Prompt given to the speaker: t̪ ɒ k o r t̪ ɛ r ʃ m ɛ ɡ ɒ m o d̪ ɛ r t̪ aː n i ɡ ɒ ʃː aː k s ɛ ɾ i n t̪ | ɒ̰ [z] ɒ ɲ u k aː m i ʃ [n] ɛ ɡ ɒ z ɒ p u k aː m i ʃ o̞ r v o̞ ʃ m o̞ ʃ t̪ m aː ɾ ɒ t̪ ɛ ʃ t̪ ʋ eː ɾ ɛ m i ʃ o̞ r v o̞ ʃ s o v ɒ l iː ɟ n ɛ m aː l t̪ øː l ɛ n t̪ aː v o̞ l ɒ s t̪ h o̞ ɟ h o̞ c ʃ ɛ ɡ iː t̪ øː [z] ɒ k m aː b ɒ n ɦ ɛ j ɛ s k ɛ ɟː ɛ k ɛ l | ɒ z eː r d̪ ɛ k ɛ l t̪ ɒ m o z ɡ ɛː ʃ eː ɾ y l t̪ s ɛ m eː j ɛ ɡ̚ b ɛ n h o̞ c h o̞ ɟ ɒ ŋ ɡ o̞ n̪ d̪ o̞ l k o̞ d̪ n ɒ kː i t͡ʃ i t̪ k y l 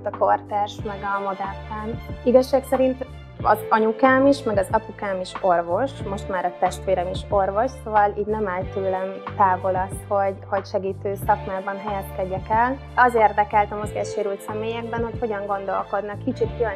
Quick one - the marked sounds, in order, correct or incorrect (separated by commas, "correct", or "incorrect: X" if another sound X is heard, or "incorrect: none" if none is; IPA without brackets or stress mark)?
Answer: correct, incorrect: m, incorrect: s